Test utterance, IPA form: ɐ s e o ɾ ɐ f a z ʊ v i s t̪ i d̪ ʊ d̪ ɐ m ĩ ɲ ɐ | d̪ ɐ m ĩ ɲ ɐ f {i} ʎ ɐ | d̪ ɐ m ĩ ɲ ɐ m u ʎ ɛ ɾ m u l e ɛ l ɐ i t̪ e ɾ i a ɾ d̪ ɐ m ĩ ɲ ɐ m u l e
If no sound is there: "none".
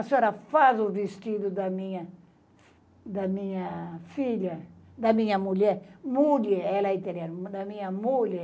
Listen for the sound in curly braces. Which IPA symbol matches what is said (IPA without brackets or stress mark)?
i